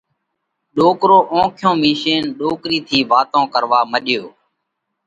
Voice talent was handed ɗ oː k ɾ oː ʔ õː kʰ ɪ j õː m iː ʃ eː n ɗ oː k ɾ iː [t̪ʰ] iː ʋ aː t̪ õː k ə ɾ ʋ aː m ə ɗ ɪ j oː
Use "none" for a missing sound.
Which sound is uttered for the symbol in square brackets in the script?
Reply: t̪ʰ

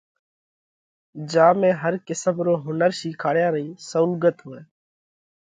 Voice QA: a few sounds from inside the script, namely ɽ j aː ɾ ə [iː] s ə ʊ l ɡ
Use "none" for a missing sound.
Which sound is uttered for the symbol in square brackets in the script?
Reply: iː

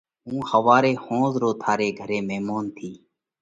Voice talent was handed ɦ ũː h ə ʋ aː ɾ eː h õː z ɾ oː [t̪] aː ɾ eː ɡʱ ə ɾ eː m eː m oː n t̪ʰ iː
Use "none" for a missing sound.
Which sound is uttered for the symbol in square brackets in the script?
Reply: t̪ʰ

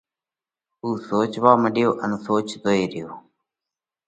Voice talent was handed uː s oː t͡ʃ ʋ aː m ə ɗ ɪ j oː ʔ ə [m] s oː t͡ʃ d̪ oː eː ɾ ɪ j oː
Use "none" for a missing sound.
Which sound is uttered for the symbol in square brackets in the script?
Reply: n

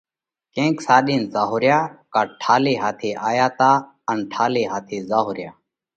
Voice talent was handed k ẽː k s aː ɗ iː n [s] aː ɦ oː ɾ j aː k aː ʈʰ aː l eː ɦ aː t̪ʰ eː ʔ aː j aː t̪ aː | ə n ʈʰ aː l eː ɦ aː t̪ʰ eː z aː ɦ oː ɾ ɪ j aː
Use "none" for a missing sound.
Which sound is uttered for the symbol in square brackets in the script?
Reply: z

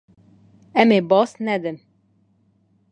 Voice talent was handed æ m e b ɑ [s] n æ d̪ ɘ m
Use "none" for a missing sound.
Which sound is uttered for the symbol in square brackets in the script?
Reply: s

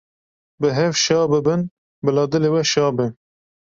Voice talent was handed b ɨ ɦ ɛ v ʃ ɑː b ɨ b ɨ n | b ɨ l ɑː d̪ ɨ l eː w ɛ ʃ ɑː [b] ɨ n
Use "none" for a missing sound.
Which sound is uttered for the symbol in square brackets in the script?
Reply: b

